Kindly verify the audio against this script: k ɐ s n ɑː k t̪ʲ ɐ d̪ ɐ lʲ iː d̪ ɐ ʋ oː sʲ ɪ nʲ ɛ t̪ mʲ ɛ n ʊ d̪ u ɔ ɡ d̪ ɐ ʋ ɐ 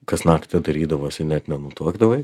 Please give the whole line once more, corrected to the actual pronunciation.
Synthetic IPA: k ɐ s n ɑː k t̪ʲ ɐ d̪ ɐ ɾʲ iː d̪ ɐ ʋ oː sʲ ɪ nʲ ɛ t̪ nʲ ɛ n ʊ t̪ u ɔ ɡ d̪ ɐ ʋ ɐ